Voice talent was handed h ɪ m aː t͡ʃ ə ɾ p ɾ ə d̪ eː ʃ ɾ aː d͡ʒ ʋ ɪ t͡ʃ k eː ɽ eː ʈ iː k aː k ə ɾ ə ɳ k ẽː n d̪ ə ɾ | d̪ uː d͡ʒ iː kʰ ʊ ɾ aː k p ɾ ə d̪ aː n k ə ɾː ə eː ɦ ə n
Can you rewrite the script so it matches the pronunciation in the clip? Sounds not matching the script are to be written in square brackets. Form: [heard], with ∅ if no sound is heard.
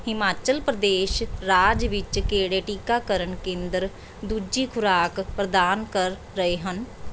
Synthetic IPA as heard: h ɪ m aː t͡ʃ ə [l] p ɾ ə d̪ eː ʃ ɾ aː d͡ʒ ʋ ɪ t͡ʃ k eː ɽ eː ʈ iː k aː k ə ɾ ə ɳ k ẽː n d̪ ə ɾ | d̪ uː d͡ʒ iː kʰ ʊ ɾ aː k p ɾ ə d̪ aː n k ə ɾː ə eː ɦ ə n